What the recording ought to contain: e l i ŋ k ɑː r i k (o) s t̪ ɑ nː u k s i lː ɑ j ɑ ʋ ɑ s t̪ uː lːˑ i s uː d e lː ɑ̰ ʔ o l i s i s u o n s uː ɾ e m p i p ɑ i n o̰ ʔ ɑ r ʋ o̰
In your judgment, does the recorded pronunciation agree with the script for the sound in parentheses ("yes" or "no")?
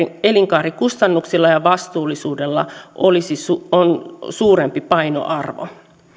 no